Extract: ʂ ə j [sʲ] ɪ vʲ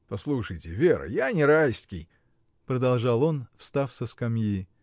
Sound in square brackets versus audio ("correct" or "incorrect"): incorrect